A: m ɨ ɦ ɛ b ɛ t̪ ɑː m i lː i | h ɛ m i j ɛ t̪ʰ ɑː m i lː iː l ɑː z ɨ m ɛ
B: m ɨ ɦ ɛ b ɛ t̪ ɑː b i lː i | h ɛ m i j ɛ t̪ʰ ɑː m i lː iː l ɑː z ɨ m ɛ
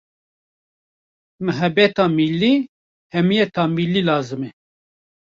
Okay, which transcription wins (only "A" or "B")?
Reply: A